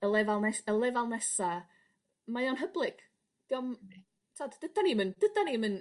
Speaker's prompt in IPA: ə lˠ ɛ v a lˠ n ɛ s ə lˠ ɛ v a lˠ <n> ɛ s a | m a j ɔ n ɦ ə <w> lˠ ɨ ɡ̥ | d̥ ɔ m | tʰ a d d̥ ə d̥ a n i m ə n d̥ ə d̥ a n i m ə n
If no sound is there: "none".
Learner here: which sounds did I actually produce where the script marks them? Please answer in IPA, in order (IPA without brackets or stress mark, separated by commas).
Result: n, b